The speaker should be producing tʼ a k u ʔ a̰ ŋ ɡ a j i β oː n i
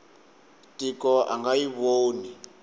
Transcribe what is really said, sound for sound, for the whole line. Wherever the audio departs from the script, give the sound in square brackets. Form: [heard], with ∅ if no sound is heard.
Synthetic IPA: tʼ [i] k [ɔ] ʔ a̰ ŋ ɡ a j i β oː n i